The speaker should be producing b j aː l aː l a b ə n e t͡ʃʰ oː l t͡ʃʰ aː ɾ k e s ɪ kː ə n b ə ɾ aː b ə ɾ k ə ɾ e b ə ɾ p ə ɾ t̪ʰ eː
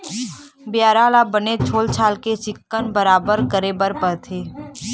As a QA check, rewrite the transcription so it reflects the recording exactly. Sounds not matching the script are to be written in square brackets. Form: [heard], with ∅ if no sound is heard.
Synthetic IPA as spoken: b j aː [ɾ] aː l a b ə n e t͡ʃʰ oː l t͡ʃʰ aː [l] k e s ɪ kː ə n b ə ɾ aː b ə ɾ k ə ɾ e b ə ɾ p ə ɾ t̪ʰ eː